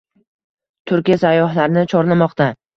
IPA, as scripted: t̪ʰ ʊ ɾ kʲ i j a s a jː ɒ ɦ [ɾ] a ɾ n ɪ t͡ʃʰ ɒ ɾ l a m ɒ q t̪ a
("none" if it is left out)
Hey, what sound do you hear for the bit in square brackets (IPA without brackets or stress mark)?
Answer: l